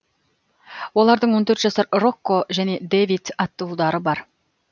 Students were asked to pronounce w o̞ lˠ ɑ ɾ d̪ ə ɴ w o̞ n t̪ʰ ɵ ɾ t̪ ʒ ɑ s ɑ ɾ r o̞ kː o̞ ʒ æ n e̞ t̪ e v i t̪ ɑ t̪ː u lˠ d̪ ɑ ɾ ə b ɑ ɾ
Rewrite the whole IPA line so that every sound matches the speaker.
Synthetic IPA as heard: w o̞ lˠ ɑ ɾ d̪ ə ɴ w o̞ n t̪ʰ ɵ ɾ t̪ ʒ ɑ s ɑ ɾ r o̞ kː o̞ ʒ æ n e̞ d̪ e v i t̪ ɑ t̪ː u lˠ d̪ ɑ ɾ ə b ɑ ɾ